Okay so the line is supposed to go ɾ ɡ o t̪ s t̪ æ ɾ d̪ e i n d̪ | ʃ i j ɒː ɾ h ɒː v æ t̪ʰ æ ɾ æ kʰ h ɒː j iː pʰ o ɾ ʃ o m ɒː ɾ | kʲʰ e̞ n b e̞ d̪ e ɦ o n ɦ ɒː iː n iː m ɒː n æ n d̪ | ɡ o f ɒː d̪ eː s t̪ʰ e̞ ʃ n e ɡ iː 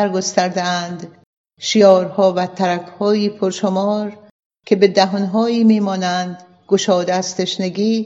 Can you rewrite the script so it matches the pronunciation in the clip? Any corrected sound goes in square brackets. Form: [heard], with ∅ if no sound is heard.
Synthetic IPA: ɾ ɡ o [∅] s t̪ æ ɾ d̪ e [æ] n d̪ | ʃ i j ɒː ɾ h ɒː v æ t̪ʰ æ ɾ æ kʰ h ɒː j iː pʰ o ɾ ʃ o m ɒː ɾ | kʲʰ e̞ [∅] b e̞ d̪ [æ] ɦ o n ɦ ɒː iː [m] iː m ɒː n æ n d̪ | ɡ o [ʃ] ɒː d̪ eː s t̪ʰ e̞ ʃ n e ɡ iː